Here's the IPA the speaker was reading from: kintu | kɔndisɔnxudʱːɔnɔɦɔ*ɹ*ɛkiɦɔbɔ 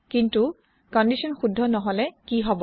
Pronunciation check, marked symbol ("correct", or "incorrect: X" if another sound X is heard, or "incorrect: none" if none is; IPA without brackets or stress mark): incorrect: l